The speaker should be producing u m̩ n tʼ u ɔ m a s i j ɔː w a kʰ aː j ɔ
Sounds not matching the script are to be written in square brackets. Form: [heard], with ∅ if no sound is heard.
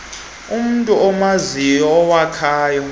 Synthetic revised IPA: u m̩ n tʼ u ɔ m a [z] i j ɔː w a kʰ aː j ɔ